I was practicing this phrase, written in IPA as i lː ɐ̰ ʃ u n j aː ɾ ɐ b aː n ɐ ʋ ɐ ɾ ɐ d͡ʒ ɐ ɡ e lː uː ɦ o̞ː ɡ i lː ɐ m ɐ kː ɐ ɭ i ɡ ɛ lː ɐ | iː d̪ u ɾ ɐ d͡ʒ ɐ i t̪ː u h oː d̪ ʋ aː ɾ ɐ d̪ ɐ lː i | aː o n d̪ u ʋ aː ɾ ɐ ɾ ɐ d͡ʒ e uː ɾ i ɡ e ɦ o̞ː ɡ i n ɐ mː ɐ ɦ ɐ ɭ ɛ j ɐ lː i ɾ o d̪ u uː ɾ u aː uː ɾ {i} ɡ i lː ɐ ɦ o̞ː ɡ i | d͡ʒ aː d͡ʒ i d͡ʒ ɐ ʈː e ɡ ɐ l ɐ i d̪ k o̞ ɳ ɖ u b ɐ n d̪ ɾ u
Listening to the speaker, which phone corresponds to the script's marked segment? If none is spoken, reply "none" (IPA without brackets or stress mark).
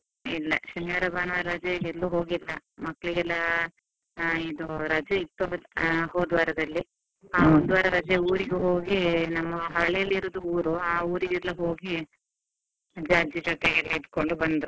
i